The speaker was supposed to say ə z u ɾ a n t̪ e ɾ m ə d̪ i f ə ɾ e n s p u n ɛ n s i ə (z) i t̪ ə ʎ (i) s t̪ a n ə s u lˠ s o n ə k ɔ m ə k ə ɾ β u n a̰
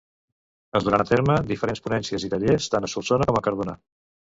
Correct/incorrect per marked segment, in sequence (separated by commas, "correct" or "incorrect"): correct, incorrect